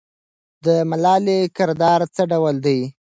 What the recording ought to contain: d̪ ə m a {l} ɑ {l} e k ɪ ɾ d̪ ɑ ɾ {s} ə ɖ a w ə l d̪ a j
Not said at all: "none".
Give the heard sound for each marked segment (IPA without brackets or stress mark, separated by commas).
l, l, t͡s